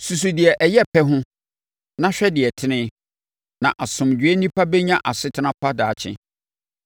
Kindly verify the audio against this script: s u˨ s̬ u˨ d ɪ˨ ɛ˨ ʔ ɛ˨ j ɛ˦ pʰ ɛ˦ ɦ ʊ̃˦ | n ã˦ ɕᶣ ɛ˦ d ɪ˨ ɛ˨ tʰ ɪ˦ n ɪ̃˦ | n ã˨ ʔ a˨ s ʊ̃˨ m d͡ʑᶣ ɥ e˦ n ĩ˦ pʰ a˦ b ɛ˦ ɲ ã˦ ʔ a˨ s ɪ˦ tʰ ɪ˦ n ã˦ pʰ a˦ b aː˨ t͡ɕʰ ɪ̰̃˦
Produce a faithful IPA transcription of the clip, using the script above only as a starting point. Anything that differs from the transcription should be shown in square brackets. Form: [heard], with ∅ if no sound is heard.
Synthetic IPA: s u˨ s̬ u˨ d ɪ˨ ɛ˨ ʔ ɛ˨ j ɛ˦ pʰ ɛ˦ ɦ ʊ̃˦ | n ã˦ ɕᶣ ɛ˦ d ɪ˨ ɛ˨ tʰ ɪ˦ n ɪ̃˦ | n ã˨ ʔ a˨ s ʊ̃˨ m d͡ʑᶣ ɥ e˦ n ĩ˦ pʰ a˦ b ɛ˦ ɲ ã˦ ʔ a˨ s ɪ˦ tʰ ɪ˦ n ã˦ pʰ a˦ [d] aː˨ t͡ɕʰ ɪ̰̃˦